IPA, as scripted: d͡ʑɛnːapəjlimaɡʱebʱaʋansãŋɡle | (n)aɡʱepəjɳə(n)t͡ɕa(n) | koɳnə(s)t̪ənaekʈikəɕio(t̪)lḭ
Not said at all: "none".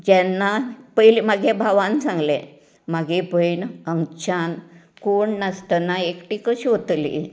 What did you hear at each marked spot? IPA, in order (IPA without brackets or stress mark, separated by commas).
m, ŋ, n, s, t̪